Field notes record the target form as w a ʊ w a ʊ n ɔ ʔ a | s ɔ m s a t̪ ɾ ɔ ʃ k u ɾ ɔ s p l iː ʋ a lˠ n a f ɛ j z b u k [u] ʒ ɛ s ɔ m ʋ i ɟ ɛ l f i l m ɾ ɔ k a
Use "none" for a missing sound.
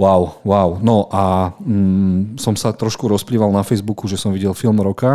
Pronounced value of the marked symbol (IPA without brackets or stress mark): u